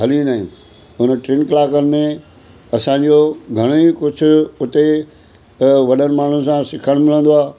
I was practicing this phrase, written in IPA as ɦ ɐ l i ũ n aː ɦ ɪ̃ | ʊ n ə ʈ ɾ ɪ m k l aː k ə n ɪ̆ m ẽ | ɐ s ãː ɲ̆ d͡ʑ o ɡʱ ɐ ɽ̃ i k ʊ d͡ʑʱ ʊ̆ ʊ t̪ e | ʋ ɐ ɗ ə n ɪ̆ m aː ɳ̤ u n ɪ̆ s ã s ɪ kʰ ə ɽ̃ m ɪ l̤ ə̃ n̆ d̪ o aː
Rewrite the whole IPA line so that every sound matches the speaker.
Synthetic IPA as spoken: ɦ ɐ l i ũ n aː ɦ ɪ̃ | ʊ n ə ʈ ɾ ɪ n k l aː k ə n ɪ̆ m ẽ | ɐ s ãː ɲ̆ d͡ʑ o ɡʱ ɐ ɽ̃ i k ʊ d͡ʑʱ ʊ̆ ʊ t̪ e | ʋ ɐ ɗ ə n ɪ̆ m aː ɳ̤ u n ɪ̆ s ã s ɪ kʰ ə ɽ̃ m ɪ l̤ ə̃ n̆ d̪ o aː